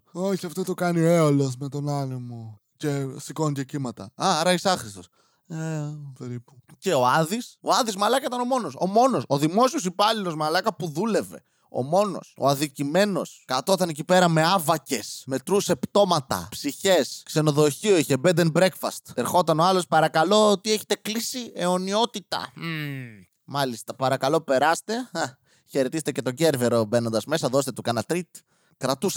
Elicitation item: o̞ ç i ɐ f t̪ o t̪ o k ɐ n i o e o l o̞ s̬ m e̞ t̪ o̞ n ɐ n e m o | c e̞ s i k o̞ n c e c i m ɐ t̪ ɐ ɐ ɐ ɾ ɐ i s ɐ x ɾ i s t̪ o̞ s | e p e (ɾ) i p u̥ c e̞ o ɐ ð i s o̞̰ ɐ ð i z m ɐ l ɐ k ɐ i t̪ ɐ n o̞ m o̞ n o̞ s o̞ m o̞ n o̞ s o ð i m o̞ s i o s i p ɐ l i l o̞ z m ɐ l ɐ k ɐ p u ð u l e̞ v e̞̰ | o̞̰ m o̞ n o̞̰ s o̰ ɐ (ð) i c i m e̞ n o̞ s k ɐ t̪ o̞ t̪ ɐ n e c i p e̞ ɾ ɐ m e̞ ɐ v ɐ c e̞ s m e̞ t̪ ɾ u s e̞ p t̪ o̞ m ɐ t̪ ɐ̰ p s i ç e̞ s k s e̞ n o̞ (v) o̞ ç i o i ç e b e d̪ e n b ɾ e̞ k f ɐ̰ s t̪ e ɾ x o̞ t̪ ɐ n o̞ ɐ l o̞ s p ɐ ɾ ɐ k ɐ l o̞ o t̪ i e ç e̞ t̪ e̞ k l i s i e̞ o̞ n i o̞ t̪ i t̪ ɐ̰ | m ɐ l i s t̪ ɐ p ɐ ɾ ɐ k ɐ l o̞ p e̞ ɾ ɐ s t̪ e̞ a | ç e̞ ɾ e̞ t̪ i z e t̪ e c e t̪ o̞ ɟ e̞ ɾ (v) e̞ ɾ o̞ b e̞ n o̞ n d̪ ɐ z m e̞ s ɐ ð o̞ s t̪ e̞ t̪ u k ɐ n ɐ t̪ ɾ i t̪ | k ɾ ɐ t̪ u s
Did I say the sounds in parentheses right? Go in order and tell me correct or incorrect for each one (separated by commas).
correct, correct, incorrect, correct